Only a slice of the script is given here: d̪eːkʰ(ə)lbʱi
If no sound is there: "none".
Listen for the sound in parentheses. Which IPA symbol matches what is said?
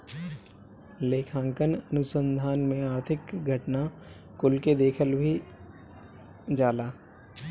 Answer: ə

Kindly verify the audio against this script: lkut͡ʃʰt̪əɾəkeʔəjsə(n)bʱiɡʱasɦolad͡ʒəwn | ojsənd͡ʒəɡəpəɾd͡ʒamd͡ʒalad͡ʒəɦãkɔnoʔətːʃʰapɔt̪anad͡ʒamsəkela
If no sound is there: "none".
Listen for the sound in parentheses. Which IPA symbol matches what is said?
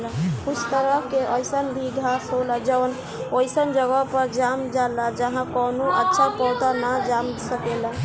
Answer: n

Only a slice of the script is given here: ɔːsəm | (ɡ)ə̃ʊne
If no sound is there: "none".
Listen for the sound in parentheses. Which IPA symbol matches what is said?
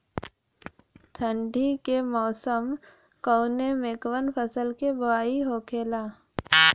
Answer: k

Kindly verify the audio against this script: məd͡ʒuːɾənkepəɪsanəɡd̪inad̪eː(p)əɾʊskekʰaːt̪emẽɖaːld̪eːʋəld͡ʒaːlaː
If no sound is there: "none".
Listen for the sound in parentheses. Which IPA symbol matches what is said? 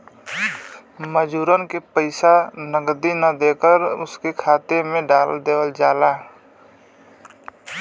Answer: k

